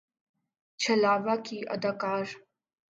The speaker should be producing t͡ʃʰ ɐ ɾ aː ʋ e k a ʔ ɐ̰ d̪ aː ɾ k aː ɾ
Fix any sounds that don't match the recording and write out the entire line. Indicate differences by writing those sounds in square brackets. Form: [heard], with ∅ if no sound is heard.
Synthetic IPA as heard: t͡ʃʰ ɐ [l] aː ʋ [a] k [i] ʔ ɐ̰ d̪ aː [∅] k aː ɾ